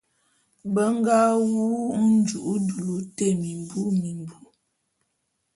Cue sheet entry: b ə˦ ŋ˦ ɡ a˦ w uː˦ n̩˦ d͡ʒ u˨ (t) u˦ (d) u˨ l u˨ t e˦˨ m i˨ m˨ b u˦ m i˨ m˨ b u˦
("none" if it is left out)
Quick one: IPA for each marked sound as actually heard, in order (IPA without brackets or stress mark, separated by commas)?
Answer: ʔ, d